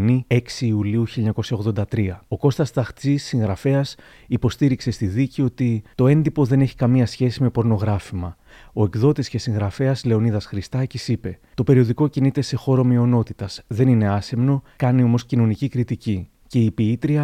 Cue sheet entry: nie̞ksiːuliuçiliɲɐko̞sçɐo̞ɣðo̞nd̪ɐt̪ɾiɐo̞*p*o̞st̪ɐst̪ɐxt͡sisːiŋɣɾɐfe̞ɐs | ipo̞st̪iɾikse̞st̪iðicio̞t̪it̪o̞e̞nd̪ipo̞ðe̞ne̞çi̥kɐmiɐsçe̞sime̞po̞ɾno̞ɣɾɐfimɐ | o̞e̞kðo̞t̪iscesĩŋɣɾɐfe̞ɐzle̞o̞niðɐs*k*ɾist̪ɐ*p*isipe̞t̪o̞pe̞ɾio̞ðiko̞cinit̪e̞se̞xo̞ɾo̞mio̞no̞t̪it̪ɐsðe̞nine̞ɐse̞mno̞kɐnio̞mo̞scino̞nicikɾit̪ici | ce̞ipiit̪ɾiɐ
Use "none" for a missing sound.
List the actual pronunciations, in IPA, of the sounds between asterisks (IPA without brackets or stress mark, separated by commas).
k, x, c